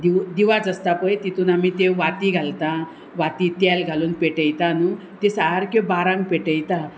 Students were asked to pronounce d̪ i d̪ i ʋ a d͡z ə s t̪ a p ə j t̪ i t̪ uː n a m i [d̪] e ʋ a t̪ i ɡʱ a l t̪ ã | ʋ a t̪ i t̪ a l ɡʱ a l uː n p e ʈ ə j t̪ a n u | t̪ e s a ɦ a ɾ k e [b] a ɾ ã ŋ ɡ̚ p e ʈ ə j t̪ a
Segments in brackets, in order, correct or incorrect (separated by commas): incorrect, correct